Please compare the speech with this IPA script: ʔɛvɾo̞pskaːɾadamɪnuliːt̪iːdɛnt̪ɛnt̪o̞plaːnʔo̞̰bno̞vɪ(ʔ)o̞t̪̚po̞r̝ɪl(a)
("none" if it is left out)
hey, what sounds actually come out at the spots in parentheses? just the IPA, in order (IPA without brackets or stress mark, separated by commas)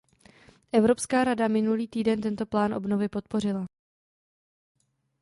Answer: p, a